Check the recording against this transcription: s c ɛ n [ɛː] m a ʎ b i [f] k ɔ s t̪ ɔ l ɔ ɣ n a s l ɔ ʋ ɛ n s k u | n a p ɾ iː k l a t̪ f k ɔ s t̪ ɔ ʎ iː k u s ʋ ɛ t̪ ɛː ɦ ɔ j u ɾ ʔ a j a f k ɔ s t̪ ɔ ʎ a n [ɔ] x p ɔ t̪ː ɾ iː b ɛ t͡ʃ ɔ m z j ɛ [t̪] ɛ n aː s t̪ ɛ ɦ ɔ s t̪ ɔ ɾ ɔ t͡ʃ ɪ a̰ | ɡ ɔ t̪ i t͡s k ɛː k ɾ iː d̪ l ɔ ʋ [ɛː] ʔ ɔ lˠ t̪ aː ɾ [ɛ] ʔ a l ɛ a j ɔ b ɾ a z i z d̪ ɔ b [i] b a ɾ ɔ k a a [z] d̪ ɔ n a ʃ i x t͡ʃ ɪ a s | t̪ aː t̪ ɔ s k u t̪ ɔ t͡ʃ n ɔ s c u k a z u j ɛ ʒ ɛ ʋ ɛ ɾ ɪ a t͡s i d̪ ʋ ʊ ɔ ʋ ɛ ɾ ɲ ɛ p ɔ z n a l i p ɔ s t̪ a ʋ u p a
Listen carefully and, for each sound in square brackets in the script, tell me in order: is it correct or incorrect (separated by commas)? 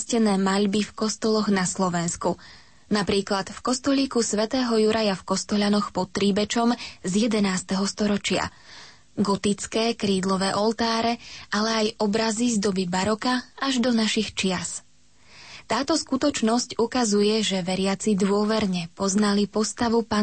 correct, correct, correct, incorrect, correct, correct, correct, incorrect